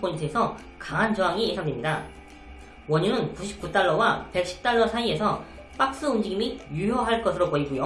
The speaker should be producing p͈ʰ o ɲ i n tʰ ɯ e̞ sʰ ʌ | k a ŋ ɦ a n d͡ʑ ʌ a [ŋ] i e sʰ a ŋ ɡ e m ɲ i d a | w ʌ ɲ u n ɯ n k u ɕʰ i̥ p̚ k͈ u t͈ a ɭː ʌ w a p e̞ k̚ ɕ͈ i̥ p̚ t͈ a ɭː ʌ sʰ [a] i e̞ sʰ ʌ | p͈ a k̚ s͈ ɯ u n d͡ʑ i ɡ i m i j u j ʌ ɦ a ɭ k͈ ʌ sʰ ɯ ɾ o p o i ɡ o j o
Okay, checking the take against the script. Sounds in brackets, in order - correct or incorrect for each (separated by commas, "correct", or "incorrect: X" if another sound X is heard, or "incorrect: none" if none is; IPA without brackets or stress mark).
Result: correct, correct